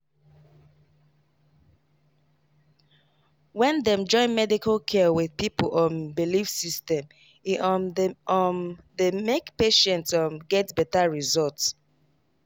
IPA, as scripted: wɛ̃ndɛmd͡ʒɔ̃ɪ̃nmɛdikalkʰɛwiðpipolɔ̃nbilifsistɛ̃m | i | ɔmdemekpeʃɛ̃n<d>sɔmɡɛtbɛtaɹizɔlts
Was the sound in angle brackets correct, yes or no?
no